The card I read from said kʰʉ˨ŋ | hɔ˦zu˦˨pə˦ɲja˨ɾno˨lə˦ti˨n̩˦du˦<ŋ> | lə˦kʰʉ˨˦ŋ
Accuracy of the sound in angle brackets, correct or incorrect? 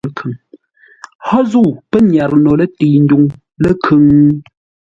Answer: correct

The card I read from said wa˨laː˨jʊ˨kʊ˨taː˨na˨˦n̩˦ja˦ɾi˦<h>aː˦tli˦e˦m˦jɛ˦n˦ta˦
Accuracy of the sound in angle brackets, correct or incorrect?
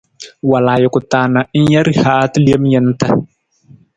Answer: correct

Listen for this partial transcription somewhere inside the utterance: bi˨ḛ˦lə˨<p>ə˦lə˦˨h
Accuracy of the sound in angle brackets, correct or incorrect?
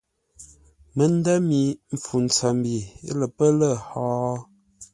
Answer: correct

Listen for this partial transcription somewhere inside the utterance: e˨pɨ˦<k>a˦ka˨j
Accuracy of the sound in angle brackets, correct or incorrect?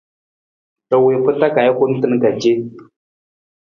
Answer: incorrect: t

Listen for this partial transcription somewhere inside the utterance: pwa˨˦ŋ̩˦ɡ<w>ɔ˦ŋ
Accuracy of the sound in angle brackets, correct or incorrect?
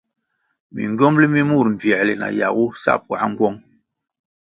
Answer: correct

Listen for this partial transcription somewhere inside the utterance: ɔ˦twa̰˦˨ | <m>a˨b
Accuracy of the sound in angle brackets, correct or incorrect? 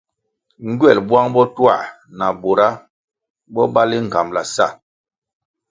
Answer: incorrect: n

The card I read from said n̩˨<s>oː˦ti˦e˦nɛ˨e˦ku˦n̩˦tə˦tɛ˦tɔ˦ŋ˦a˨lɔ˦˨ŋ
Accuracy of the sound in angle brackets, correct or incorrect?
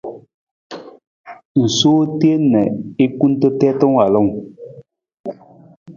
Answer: correct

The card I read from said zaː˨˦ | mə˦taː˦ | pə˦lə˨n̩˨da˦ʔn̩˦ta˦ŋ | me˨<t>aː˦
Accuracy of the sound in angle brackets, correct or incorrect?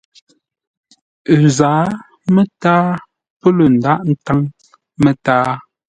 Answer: correct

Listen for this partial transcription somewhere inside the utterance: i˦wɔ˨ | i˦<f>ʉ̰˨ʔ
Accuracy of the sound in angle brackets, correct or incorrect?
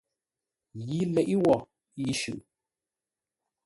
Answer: incorrect: ʃ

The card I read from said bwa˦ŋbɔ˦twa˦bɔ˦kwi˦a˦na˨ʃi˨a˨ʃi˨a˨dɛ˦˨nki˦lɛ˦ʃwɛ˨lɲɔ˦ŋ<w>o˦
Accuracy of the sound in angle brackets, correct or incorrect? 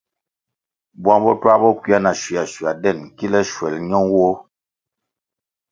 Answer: correct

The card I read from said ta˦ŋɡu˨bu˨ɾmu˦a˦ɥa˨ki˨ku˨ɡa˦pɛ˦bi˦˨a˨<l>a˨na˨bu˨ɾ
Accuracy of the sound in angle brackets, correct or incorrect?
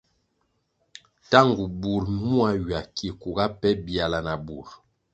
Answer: correct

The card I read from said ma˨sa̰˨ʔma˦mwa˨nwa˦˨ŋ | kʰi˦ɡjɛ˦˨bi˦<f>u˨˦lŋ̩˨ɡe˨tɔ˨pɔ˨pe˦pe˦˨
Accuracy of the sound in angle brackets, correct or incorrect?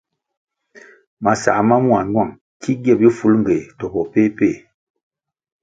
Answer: correct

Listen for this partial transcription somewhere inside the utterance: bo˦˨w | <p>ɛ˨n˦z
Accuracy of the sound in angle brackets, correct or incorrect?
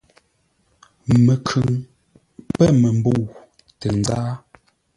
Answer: incorrect: t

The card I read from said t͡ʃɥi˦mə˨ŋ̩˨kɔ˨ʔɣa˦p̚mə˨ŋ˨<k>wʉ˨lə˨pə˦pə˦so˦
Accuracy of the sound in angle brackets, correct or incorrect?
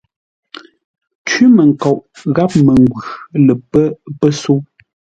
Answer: incorrect: ɡ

